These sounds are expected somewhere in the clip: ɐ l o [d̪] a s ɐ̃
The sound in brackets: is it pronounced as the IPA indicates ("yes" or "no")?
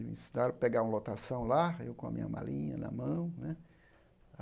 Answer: no